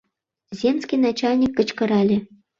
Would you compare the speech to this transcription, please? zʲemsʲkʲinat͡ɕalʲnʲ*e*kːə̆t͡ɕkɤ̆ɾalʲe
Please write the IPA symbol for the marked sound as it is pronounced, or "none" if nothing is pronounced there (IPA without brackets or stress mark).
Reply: i